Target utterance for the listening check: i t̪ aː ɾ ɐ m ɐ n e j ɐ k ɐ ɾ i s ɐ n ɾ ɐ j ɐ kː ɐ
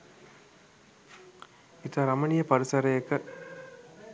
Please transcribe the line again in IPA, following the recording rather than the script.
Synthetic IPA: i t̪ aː ɾ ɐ m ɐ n i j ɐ p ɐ ɾ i s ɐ ɾ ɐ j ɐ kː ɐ